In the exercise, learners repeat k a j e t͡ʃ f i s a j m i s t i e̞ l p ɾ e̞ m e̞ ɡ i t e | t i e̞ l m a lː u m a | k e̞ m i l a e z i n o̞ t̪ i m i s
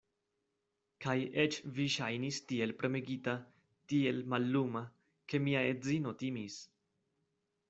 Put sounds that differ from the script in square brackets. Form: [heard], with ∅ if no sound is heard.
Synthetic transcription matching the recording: k a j e t͡ʃ [v] i [ʃ] a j [n] i s t i e̞ l p ɾ e̞ m e̞ ɡ i t [a] | t i e̞ l m a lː u m a | k e̞ m i [∅] a e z i n o̞ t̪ i m i s